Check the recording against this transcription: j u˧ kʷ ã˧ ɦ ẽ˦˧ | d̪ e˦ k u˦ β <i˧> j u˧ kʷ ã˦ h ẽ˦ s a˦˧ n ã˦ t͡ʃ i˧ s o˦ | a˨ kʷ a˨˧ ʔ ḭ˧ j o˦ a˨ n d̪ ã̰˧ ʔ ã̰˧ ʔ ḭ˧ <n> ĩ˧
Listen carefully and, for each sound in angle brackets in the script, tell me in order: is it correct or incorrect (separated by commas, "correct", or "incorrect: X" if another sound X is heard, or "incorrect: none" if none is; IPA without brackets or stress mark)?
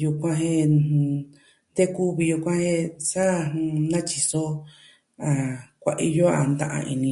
correct, correct